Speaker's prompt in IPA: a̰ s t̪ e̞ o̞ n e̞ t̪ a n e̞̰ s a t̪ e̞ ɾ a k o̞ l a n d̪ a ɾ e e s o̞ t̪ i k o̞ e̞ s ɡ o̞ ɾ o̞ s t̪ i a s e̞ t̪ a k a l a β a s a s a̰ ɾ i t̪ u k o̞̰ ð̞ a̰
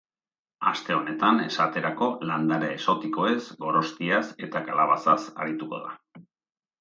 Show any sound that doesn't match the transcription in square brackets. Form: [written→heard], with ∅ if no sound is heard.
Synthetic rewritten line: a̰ s t̪ e̞ o̞ n e̞ t̪ a n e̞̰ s a t̪ e̞ ɾ a k o̞ l a n d̪ a ɾ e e s o̞ t̪ i k o̞ e̞ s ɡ o̞ ɾ o̞ s t̪ i a s e̞ t̪ a k a l a β a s a s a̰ ɾ i t̪ u k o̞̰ ð̞ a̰